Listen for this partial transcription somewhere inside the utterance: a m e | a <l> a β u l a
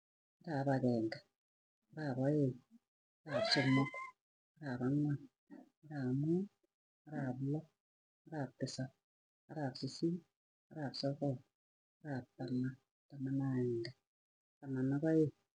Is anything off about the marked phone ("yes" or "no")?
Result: yes